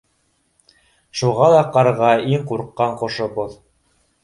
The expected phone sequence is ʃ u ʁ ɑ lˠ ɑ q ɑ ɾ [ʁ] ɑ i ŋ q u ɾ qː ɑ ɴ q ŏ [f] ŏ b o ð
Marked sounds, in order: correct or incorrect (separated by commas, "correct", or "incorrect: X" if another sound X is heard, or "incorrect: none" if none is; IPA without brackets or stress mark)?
correct, incorrect: ʃ